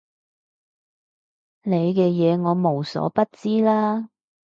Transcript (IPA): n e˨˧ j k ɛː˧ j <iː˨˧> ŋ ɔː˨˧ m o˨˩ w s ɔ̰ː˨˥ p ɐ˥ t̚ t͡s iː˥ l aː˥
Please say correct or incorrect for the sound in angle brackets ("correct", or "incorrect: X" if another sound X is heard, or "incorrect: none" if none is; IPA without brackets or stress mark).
incorrect: ɛː˨˧